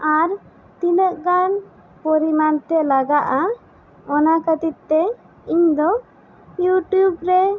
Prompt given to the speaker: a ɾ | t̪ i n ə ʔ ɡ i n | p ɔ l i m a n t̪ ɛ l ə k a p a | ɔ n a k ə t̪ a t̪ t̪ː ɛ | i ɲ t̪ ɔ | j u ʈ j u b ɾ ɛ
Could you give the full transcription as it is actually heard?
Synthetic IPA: a ɾ | t̪ i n ə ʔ ɡ a n | p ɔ ɾ i m a n t̪ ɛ l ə ɡ a ʔ a | ɔ n a k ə t̪ i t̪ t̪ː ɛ | i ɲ d̪ ɔ | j u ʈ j u b ɾ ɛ

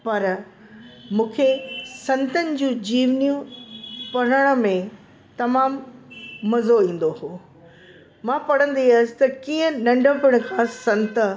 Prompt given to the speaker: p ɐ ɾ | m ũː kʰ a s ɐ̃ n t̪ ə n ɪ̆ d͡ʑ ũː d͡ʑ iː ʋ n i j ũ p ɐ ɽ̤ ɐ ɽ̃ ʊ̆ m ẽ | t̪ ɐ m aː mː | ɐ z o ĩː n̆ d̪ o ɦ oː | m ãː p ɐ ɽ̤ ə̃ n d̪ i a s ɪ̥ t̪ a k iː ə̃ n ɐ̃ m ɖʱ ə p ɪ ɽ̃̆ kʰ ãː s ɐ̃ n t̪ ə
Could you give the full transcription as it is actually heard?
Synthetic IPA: p ɐ ɾ | m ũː kʰ e s ɐ̃ n t̪ ə n ɪ̆ d͡ʑ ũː d͡ʑ iː ʋ n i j ũ p ɐ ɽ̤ ə ɽ̃ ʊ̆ m ẽ | t̪ ɐ m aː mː | ɐ z o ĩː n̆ d̪ o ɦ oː | m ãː p ɐ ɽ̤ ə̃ n d̪ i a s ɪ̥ t̪ ɐ k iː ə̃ n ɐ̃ ɳ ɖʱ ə p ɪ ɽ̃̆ kʰ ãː s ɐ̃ n t̪ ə

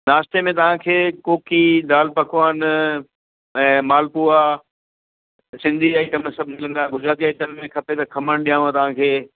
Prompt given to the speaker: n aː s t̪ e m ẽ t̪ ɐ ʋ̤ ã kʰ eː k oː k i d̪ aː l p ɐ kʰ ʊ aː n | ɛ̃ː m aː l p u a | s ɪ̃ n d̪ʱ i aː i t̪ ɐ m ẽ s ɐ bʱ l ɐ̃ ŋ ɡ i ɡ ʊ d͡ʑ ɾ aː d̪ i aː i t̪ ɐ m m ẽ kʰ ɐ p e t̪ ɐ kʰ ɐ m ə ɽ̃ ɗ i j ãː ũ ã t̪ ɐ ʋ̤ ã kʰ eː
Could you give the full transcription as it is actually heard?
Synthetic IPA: n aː s t̪ e m ẽ t̪ ɐ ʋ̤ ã kʰ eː k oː k i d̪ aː l p ɐ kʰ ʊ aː n | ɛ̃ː m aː l p u a | s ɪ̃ n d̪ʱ i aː i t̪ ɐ m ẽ s ɐ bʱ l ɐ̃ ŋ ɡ a ɡ ʊ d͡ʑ ɾ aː t̪ i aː i t̪ ɐ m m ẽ kʰ ɐ p e t̪ ɐ kʰ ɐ m ə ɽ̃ ɗ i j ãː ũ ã t̪ ɐ ʋ̤ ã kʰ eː

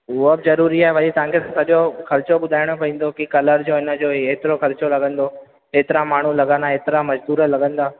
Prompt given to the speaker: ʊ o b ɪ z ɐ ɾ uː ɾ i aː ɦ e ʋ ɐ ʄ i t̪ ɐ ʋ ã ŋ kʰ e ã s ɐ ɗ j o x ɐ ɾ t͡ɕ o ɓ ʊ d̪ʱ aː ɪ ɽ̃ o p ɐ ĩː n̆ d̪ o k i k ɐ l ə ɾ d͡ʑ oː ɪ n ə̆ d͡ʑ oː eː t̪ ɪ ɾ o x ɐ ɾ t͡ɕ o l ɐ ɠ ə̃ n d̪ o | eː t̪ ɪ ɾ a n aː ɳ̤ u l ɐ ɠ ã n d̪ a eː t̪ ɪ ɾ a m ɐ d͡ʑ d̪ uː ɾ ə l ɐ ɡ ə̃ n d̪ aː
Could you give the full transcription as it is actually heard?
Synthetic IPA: ʊ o b ɪ z ɐ ɾ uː ɾ i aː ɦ e ʋ ɐ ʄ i t̪ ɐ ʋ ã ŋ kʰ e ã s ɐ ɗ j o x ɐ ɾ t͡ɕ o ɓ ʊ d̪ʱ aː ɪ ɽ̃ o p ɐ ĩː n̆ d̪ o k i k ɐ l ə ɾ d͡ʑ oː ɪ n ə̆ d͡ʑ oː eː t̪ ɪ ɾ o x ɐ ɾ t͡ɕ o l ɐ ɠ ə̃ n d̪ o | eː t̪ ɪ ɾ a m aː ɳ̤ u l ɐ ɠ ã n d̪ a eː t̪ ɪ ɾ a m ɐ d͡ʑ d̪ uː ɾ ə l ɐ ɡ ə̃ n d̪ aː

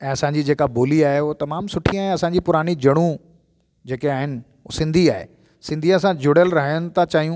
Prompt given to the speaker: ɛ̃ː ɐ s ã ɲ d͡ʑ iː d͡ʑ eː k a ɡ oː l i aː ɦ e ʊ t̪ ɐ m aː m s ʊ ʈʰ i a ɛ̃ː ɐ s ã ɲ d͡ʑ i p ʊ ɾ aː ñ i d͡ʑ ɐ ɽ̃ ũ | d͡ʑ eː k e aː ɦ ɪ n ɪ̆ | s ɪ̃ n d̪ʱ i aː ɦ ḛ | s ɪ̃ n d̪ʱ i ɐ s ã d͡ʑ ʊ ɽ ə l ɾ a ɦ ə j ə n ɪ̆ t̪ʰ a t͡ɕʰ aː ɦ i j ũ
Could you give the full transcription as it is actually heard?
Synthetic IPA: ɛ̃ː ɐ s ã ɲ d͡ʑ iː d͡ʑ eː k a b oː l i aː ɦ e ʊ t̪ ɐ m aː m s ʊ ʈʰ i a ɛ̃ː ɐ s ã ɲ d͡ʑ i p ʊ ɾ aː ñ i d͡ʑ ɐ ɽ̃ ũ | d͡ʑ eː k e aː ɦ ɪ n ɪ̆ | s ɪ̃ n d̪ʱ i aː ɦ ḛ | s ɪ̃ n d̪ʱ i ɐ s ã d͡ʑ ʊ ɽ ə l ɾ ɐ ɦ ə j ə n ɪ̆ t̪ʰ a t͡ɕ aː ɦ i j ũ

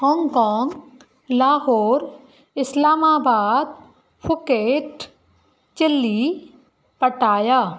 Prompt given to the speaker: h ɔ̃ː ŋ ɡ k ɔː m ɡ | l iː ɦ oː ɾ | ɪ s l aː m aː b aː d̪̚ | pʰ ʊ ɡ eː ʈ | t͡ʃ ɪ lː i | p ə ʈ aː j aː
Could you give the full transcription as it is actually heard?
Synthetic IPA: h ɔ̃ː ŋ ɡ k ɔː ŋ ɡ | l aː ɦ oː ɾ | ɪ s l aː m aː b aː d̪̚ | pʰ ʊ k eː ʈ | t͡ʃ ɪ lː i | p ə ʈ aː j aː

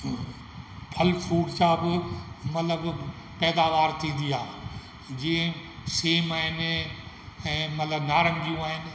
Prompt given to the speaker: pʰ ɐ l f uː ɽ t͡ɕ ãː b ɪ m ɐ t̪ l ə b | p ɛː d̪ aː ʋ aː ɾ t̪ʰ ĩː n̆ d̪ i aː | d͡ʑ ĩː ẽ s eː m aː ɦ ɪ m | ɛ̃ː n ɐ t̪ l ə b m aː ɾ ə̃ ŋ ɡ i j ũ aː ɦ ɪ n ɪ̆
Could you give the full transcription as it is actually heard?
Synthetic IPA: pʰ ɐ l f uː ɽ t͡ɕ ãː b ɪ m ɐ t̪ l ə b | p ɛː d̪ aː ʋ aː ɾ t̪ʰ ĩː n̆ d̪ i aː | d͡ʑ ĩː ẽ s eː m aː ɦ ɪ n | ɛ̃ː m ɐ t̪ l ə b n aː ɾ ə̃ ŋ ɡ i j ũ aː ɦ ɪ n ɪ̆

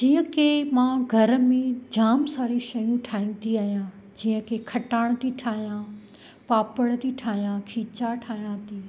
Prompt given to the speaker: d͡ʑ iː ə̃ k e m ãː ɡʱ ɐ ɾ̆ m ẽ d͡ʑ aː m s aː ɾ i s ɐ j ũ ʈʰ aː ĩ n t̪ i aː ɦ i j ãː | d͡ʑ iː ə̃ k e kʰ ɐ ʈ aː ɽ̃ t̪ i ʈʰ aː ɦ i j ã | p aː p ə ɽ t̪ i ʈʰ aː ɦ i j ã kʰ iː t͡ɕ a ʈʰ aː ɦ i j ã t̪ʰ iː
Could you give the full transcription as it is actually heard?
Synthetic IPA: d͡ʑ iː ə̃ k e m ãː ɡʱ ɐ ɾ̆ m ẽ d͡ʑ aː m s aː ɾ i ʃ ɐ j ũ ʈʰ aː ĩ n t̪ i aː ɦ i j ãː | d͡ʑ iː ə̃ k e kʰ ɐ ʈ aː ɽ̃ t̪ i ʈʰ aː ɦ i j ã | p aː p ə ɽ t̪ i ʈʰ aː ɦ i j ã kʰ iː t͡ɕ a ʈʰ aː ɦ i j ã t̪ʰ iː

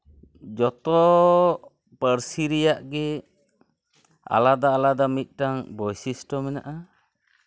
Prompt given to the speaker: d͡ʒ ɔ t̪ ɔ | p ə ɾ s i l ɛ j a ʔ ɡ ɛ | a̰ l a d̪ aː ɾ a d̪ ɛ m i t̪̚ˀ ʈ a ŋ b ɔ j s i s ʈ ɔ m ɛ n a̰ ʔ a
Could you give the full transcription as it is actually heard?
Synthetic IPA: d͡ʒ ɔ t̪ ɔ | p ə ɾ s i ɾ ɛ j a ʔ ɡ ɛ | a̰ l a d̪ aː l a d̪ a m i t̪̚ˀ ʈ a ŋ b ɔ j s i s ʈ ɔ m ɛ n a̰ ʔ a

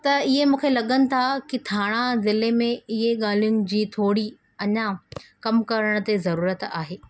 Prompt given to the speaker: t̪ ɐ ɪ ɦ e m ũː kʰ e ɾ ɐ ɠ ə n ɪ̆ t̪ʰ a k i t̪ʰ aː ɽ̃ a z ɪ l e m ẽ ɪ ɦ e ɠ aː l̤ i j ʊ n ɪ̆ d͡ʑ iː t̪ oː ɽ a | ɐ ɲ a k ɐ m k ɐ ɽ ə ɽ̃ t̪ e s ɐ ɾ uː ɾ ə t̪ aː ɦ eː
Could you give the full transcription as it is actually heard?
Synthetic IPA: t̪ ɐ ɪ ɦ e m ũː kʰ e l ɐ ɠ ə n ɪ̆ t̪ʰ a k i t̪ʰ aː ɽ̃ a z ɪ l e m ẽ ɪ ɦ e ɠ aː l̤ i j ʊ n ɪ̆ d͡ʑ iː t̪ʰ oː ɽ i | ɐ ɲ a k ɐ m k ɐ ɾ ə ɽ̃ t̪ e z ɐ ɾ uː ɾ ə t̪ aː ɦ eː

